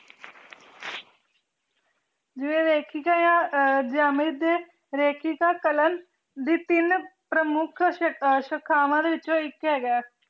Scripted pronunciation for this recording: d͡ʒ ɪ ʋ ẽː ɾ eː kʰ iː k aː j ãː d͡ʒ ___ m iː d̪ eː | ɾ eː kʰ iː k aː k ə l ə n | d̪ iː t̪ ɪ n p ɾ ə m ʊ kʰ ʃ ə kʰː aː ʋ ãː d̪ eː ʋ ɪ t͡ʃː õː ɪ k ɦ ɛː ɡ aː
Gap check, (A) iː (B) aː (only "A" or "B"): B